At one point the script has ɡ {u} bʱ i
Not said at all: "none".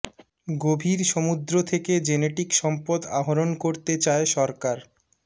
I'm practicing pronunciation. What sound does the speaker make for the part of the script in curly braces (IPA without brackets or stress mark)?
o